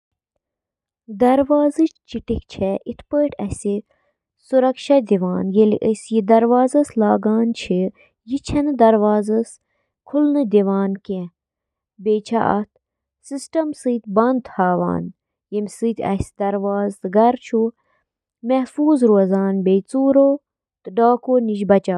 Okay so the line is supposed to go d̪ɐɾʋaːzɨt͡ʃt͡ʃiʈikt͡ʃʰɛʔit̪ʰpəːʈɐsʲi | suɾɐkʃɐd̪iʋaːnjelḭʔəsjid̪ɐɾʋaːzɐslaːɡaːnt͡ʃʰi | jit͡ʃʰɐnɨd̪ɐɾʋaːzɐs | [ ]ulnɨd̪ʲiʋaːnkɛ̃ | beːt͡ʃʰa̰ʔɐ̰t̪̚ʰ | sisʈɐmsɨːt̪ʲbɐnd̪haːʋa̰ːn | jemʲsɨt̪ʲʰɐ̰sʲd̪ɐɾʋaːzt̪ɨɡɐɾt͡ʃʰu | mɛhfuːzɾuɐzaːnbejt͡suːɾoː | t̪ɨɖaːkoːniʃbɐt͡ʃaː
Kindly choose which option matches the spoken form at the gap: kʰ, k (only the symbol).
kʰ